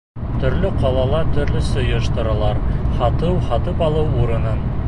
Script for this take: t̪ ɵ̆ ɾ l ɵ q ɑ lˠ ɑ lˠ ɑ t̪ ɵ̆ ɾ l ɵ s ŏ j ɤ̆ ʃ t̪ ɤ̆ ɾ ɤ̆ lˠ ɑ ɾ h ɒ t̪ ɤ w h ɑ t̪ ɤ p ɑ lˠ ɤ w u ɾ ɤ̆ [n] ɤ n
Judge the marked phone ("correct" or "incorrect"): correct